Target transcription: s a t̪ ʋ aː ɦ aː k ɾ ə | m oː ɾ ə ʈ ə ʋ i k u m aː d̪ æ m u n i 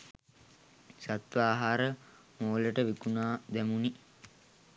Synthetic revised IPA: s a t̪ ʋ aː ɦ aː ɾ ə | m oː l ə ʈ ə ʋ i k u n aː d̪ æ m u n i